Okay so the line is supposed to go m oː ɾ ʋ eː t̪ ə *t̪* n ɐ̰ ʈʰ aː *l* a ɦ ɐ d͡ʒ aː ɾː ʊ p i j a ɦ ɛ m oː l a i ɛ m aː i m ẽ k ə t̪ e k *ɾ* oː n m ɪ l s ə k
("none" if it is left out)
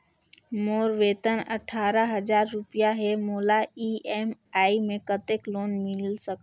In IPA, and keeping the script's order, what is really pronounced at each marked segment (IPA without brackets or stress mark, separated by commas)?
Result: none, ɾ, l